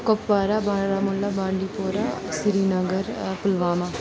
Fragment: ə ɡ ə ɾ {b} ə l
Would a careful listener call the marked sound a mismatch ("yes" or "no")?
yes